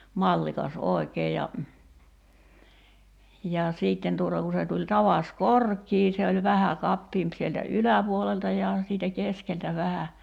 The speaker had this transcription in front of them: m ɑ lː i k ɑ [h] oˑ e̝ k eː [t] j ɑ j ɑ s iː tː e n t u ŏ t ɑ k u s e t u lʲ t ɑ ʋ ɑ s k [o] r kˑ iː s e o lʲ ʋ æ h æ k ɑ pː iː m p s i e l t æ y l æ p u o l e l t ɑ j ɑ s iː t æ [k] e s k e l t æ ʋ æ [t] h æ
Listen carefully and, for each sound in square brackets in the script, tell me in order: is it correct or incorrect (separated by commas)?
incorrect, incorrect, correct, correct, incorrect